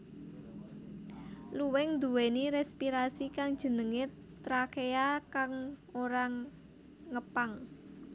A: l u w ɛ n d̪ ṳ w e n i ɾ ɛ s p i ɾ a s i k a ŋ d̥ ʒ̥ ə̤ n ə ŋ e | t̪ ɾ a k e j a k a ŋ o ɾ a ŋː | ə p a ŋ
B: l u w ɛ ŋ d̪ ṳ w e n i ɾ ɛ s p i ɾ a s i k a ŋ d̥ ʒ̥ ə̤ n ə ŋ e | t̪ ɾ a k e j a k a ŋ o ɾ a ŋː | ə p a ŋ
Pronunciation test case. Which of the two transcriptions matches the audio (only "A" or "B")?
B